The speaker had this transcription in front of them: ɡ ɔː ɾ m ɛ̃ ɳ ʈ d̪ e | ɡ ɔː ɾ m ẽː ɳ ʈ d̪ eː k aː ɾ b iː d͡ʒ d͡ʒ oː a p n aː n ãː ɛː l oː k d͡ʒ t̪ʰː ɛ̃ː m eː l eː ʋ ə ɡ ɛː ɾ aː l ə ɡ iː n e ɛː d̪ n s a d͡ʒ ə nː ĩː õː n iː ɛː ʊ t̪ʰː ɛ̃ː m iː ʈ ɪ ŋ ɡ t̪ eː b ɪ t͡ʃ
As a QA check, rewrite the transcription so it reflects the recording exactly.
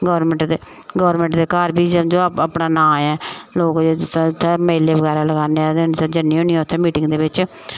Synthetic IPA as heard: ɡ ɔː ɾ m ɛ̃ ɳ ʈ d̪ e | ɡ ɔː ɾ m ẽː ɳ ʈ d̪ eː k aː ɾ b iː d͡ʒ d͡ʒ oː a p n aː n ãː ɛː l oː k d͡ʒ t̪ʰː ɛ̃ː m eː l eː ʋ ə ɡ ɛː ɾ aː l ə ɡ aː n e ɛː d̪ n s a d͡ʒ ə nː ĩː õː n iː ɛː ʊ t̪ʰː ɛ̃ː m iː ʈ ɪ ŋ ɡ d̪ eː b ɪ t͡ʃ